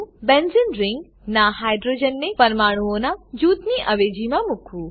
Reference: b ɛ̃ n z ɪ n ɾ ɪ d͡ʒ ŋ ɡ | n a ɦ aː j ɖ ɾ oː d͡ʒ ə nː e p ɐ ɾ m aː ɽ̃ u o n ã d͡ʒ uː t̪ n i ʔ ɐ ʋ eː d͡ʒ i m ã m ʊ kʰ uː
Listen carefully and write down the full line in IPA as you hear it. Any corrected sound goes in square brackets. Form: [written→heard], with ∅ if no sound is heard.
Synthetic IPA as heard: b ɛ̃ n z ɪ n ɾ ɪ [d͡ʒ→∅] ŋ ɡ | n a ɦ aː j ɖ ɾ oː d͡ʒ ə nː e p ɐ ɾ m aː ɽ̃ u o n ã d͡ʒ uː t̪ n i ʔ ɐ ʋ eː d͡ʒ i m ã m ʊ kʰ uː